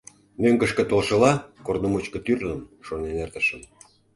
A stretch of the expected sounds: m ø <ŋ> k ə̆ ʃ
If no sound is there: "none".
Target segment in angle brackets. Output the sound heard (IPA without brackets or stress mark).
ŋ